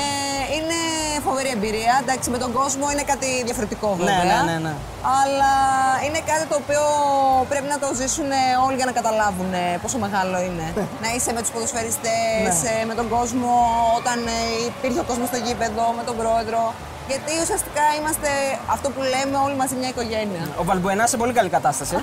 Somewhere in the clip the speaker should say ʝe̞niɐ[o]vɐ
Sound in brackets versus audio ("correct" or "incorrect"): correct